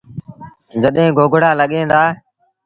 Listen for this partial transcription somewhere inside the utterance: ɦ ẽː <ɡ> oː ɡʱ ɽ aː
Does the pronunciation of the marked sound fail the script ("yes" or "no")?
no